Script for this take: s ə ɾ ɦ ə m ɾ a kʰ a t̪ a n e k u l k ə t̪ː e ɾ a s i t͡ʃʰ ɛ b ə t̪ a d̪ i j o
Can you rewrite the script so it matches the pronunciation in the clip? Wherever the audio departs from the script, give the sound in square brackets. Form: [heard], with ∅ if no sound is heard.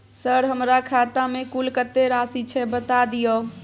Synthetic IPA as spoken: s ə ɾ ɦ ə m ɾ a kʰ a t̪ a [m] e k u l k ə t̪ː e ɾ a s i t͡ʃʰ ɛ b ə t̪ a d̪ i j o